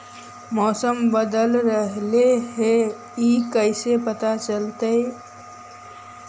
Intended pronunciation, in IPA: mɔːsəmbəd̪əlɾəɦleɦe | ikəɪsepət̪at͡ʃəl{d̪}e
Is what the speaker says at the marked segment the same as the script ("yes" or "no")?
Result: no